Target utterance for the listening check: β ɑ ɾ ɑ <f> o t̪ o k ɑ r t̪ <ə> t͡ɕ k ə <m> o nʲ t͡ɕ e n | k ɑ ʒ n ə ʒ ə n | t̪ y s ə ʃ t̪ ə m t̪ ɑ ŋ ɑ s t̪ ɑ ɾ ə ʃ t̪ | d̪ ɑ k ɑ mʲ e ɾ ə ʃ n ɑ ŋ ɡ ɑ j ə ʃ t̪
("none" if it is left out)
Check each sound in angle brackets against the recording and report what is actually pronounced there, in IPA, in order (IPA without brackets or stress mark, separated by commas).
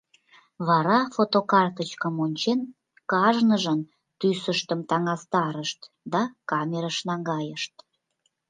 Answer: f, ə, m